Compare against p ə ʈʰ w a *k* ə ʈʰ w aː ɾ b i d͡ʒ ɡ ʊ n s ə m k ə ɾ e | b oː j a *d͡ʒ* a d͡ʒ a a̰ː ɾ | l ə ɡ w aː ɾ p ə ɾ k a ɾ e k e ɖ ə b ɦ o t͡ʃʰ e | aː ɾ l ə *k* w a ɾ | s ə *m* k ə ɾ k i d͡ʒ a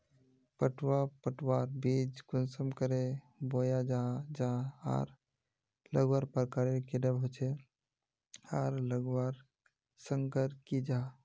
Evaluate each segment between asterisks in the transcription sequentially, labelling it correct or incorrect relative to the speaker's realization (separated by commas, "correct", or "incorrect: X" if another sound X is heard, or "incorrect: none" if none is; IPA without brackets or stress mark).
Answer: incorrect: p, correct, incorrect: ɡ, incorrect: ŋ